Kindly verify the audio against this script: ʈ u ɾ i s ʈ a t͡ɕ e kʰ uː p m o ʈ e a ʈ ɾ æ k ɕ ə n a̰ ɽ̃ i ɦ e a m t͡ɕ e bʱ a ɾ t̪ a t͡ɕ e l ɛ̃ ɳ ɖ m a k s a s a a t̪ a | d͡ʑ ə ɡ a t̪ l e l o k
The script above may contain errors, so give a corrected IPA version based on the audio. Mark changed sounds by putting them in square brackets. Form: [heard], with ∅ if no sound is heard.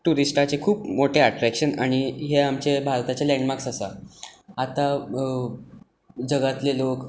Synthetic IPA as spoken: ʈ u ɾ i s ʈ a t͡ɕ e kʰ uː p m o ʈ e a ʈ ɾ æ k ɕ ə n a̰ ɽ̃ i ɦ e a m t͡ɕ e bʱ a ɾ t̪ a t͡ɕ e l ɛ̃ ɳ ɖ m a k s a s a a t̪ a | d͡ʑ ə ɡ a t̪ l e l o k